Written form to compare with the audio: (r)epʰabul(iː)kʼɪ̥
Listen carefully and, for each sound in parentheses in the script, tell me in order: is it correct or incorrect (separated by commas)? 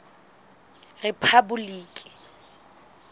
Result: correct, correct